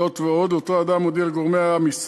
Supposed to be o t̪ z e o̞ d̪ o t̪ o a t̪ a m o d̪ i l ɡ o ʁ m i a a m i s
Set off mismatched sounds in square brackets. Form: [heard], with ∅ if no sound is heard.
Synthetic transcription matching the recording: o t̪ [v] e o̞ d̪ o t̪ o a [d̪] a m o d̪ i l ɡ o ʁ m [e] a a m i s